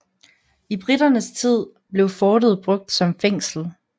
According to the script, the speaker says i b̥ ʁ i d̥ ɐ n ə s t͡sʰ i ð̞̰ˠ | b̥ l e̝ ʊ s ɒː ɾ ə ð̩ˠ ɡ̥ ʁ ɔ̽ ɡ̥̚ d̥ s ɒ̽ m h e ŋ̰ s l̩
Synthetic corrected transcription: i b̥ ʁ i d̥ ɐ n ə s t͡sʰ i ð̞̰ˠ | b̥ l e̝ ʊ f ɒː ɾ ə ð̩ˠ b̥ ʁ ɔ̽ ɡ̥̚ d̥ s ɒ̽ m f e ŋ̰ s l̩